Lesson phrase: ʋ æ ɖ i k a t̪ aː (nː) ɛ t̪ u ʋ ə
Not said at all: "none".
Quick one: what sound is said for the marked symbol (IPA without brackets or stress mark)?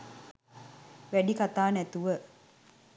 n